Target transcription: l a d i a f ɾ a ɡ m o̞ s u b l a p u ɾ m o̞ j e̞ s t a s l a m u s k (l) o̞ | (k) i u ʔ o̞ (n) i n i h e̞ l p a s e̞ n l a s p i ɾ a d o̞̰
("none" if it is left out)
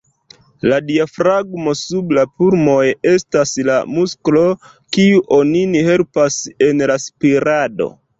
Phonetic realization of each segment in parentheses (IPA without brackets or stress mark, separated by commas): l, k, n